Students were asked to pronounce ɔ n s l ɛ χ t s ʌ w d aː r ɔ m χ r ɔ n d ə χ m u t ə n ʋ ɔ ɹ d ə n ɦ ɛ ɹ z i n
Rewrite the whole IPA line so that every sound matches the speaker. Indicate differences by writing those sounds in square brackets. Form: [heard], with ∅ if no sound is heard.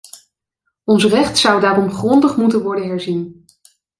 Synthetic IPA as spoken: ɔ n s [r] ɛ χ t s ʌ w d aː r ɔ m χ r ɔ n d ə χ m u t ə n ʋ ɔ ɹ d ə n ɦ ɛ ɹ z i n